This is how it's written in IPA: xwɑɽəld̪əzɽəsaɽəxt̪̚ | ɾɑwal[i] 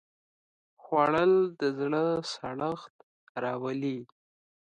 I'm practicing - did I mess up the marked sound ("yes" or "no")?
no